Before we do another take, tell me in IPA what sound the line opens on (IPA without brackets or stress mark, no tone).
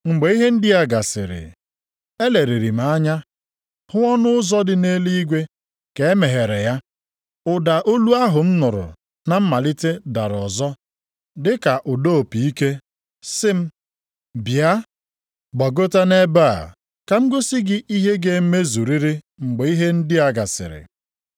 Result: ŋ͡m̩